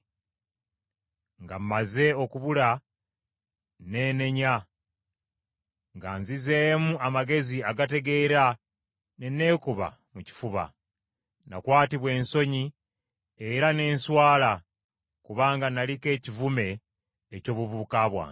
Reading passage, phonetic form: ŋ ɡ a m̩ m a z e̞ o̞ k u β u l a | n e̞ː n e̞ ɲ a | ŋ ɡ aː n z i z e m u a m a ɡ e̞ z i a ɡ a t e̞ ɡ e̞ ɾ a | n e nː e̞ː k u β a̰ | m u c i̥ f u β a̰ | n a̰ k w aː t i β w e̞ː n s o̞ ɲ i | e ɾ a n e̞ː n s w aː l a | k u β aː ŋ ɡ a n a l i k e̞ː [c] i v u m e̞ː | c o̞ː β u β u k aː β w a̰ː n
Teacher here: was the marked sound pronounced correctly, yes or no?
yes